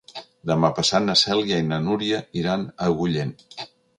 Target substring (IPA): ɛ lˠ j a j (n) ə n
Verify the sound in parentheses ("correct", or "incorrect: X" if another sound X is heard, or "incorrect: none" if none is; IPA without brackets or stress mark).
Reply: correct